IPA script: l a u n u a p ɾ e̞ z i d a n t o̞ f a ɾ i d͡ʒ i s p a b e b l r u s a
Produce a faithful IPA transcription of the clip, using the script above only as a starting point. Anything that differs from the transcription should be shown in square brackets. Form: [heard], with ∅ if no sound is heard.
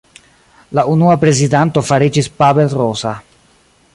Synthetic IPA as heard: l a u n u a p ɾ e̞ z i d a n t o̞ f a ɾ i d͡ʒ i s p a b e [∅] l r [o] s a

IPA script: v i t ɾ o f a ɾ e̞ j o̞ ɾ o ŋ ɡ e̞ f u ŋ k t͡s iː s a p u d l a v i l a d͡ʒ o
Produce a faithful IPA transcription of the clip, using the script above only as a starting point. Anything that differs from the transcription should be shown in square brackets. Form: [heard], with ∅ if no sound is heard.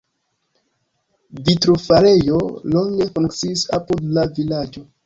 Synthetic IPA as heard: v i t ɾ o f a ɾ e̞ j o̞ [l] o ŋ ɡ e̞ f u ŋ k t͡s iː s a p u d l a v i l a d͡ʒ o

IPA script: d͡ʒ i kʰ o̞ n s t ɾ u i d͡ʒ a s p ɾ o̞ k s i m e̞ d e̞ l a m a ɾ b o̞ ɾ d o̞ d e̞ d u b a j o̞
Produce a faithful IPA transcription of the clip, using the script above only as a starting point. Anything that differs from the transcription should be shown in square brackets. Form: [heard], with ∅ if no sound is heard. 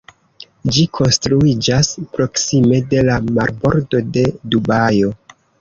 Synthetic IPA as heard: d͡ʒ i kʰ o̞ n s t ɾ u i d͡ʒ a s p ɾ o̞ k s i m e̞ d e̞ l a m a ɾ b o̞ ɾ d o̞ d e̞ d u b a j o̞

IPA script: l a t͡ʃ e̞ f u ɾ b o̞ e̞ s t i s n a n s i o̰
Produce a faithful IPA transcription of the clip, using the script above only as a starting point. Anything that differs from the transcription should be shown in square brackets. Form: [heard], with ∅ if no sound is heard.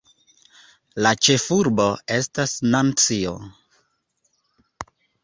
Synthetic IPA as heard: l a t͡ʃ e̞ f u ɾ b o̞ e̞ s t [a] s n a n [t͡s] i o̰

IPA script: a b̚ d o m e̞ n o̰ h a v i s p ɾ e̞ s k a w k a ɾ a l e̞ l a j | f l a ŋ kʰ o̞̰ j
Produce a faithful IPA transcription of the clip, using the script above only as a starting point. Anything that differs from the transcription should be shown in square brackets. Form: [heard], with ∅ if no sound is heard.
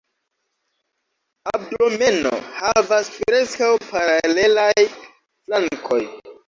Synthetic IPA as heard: a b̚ d o m e̞ n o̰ h a v [a] s p ɾ e̞ s k a w [p] a ɾ a l e̞ l a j | f l a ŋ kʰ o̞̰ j

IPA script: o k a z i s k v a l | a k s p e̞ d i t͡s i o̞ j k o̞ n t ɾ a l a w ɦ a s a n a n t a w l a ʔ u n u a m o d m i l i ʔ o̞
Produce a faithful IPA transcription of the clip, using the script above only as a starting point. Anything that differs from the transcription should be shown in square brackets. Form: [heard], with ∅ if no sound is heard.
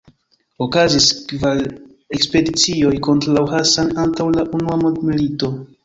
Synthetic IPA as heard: o k a z i s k v a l | [e] k s p e̞ d i t͡s i o̞ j k o̞ n t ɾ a l a w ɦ a s a n a n t a w l a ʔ u n u a m o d m i l i [t] o̞

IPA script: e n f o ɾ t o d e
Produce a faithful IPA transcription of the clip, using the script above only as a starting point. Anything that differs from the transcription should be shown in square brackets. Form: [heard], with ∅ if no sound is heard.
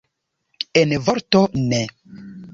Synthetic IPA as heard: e n [v] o ɾ t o [n] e

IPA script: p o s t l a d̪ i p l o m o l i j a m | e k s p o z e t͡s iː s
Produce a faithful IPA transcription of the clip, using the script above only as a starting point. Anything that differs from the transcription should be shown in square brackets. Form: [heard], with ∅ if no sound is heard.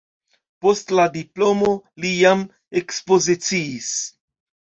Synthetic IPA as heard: p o s t l a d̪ i p l o m o l i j a m | e k s p o z [i] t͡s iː s

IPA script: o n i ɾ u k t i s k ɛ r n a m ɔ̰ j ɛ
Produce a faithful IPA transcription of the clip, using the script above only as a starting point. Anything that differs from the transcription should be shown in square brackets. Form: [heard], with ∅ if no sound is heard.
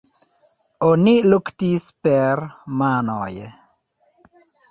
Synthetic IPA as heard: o n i [l] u k t i s [p] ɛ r [m] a [n] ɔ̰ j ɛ

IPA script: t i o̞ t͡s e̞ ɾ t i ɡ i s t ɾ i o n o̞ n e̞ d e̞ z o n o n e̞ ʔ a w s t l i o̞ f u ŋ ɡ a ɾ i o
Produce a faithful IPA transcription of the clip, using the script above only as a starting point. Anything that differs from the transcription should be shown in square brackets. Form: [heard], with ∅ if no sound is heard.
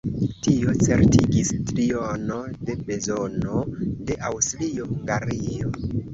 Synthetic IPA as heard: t i o̞ t͡s e̞ ɾ t i ɡ i s t ɾ i o n o̞ [d] e̞ [b] e̞ z o n o [d] e̞ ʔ a w s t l i o̞ [h] u ŋ ɡ a ɾ i o

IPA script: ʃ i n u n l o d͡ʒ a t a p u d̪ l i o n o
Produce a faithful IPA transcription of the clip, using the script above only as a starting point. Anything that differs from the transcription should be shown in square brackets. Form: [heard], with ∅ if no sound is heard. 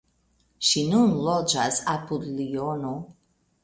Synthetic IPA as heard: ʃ i n u n l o d͡ʒ a [s] a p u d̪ l i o n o

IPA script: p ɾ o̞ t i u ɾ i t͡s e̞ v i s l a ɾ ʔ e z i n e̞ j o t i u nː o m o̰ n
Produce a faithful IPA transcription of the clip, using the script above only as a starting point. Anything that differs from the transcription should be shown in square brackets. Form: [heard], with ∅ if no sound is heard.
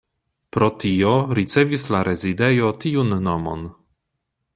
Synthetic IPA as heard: p ɾ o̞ t i [o] ɾ i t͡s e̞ v i s l a ɾ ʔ e z i [d] e̞ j o t i u nː o m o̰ n

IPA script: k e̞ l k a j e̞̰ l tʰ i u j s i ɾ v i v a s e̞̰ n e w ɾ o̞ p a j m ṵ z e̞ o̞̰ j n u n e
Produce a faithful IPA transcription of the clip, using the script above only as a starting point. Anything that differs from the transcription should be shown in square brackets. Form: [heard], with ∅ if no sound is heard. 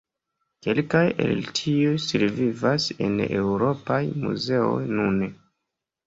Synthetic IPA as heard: k e̞ l k a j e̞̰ l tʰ i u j s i ɾ v i v a s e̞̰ n e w ɾ o̞ p a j m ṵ z e̞ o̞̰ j n u n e

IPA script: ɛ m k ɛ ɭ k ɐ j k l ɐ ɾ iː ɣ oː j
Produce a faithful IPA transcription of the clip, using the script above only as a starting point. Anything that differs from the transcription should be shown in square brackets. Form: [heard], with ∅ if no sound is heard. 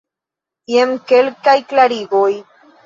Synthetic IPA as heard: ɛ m k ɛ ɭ k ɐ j k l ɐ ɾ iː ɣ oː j

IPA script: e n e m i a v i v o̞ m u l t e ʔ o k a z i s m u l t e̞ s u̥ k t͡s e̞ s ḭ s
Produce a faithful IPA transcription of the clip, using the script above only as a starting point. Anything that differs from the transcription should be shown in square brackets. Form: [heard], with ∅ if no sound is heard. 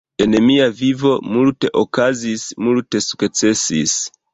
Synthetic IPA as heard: e n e m i a v i v o̞ m u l t e ʔ o k a z i s m u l t e̞ s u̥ k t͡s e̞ s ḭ s

